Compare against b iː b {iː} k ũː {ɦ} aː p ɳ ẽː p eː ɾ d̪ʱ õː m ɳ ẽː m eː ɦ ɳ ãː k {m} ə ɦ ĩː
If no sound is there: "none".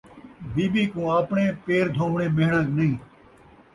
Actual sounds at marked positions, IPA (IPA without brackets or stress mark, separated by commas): iː, none, n